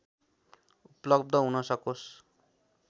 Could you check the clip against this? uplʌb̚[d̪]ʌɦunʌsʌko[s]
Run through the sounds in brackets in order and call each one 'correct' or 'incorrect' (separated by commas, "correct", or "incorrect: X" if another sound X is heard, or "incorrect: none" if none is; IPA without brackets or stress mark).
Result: correct, correct